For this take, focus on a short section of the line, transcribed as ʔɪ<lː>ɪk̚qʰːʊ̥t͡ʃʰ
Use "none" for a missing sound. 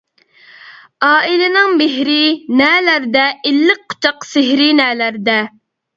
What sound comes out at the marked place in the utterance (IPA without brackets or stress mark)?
lː